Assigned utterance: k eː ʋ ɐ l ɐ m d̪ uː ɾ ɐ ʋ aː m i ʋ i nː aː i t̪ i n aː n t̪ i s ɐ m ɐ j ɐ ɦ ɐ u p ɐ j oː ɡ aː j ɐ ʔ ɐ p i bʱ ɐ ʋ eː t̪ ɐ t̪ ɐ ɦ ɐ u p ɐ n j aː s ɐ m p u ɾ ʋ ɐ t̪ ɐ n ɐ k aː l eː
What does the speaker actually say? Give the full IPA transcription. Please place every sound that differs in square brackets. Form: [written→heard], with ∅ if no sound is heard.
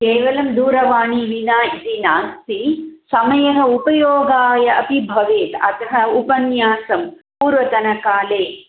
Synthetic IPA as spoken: k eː ʋ ɐ l ɐ m d̪ uː ɾ ɐ ʋ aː [m→ɳ] i ʋ i [nː→n] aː i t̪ i n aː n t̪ i s ɐ m ɐ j ɐ ɦ ɐ u p ɐ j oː ɡ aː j ɐ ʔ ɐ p i bʱ ɐ ʋ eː t̪ ɐ t̪ ɐ ɦ ɐ u p ɐ n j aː s ɐ m p [u→uː] ɾ ʋ ɐ t̪ ɐ n ɐ k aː l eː